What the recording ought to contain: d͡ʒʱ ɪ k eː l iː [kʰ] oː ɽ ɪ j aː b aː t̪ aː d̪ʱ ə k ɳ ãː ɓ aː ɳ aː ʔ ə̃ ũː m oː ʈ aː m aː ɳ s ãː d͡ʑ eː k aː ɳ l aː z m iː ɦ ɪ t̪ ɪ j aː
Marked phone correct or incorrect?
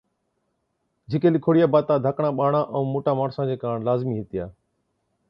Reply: correct